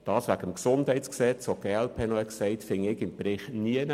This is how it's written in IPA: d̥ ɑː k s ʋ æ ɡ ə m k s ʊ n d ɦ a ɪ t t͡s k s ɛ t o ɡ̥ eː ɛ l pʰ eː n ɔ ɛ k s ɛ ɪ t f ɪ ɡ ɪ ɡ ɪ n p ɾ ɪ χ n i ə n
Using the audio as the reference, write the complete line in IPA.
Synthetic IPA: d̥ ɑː s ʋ æ ɡ ə m k s ʊ n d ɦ ɛ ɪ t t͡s k s ɛ t͡s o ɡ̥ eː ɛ l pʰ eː n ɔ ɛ k s ɛ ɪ t f ɪ ŋ ɪ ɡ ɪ m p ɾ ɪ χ n i ə n